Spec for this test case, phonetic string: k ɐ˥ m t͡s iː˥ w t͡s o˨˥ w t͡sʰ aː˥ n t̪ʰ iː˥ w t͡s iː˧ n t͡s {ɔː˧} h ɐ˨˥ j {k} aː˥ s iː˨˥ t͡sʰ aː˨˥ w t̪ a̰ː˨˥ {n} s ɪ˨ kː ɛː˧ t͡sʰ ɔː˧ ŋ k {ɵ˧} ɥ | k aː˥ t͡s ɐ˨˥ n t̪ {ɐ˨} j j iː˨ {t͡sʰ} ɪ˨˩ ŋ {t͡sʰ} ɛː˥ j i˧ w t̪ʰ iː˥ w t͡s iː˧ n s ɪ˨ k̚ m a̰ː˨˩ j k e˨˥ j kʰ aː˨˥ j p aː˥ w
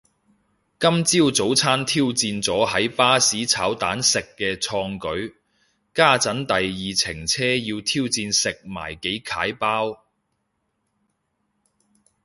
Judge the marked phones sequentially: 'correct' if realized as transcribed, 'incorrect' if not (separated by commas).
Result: incorrect, incorrect, correct, incorrect, correct, correct, correct